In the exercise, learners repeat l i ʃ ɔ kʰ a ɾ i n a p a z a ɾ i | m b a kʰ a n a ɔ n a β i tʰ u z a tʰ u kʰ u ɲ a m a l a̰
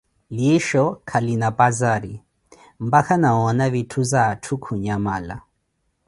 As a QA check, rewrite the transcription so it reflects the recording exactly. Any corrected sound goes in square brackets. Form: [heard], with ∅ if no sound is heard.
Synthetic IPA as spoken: l i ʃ ɔ kʰ a [l] i n a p a z a ɾ i | m b a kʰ a n a ɔ n a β i tʰ u z a tʰ u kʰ u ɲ a m a l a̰